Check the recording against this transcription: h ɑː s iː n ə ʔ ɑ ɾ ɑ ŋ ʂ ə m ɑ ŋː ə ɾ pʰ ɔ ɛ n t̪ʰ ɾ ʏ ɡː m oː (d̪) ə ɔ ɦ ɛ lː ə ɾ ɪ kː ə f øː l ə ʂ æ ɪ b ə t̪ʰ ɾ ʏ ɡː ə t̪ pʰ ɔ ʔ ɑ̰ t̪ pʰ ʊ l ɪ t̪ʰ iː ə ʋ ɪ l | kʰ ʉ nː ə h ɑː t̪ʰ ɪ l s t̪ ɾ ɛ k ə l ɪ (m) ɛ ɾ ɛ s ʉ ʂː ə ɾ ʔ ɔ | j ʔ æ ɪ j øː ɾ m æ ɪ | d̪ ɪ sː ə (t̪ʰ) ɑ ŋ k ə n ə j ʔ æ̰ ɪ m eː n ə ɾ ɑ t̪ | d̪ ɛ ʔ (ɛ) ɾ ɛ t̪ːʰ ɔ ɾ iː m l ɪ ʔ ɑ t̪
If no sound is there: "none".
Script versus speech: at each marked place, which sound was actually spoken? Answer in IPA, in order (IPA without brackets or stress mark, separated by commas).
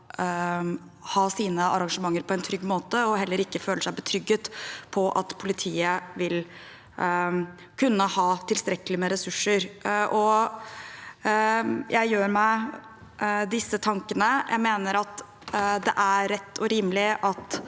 t̪, m, t̪ʰ, æ